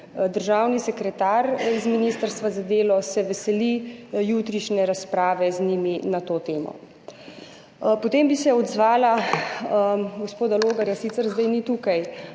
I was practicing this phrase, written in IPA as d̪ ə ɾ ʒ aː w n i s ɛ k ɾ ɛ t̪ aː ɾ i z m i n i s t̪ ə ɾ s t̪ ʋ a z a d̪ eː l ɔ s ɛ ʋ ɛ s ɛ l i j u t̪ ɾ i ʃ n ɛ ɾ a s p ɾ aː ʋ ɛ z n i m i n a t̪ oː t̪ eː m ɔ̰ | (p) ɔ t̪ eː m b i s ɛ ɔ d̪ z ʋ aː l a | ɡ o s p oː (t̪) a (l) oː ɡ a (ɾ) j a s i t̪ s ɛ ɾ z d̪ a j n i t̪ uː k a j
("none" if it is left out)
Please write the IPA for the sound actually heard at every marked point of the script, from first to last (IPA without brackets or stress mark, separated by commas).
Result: p, d̪, l, ɾ